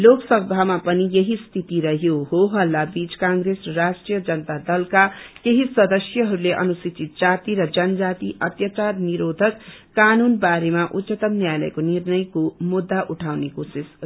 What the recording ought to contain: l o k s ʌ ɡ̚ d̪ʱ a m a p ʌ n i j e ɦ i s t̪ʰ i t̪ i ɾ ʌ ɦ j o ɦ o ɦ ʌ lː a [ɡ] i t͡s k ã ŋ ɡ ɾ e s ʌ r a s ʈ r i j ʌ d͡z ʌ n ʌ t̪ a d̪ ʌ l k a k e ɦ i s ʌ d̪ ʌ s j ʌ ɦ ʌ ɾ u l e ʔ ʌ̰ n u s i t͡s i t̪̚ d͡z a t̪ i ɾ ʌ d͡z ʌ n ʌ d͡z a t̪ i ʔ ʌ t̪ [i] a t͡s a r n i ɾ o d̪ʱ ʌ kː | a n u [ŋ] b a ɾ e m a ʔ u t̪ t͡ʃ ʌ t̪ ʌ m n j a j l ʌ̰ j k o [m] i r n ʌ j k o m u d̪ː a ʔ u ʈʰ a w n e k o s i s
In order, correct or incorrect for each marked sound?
incorrect, incorrect, incorrect, incorrect

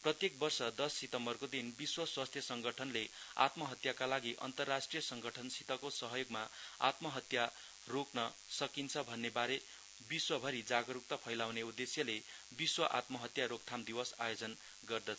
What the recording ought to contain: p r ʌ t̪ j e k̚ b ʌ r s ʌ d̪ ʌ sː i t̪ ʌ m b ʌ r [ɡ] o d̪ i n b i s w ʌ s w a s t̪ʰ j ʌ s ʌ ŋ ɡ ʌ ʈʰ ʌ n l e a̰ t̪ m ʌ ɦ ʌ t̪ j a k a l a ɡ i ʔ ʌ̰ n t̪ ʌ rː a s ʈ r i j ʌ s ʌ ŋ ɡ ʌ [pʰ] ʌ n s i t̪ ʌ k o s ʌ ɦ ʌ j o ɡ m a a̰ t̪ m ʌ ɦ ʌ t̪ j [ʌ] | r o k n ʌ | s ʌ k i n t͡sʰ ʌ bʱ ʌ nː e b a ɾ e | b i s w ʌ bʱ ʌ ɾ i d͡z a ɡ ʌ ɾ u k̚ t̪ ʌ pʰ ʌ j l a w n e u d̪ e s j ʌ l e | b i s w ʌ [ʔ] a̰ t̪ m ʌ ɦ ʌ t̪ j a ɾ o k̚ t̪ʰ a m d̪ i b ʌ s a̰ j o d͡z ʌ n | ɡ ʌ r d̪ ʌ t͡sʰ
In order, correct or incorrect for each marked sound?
incorrect, incorrect, incorrect, correct

